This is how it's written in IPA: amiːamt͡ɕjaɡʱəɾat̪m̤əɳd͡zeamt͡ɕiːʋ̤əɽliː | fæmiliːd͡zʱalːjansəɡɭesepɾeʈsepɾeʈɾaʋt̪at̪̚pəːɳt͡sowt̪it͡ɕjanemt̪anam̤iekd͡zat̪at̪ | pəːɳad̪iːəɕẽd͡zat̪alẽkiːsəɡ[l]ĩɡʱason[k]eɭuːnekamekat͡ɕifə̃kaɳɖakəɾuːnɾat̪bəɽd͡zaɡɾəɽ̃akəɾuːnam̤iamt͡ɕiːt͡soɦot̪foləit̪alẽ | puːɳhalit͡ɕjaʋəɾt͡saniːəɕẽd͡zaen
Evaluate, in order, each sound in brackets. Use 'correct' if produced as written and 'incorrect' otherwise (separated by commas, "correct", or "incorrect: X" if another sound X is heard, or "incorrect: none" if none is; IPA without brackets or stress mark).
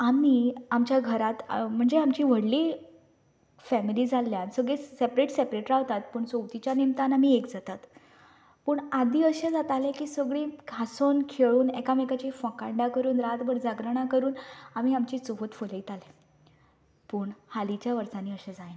incorrect: ɭ, incorrect: kʰ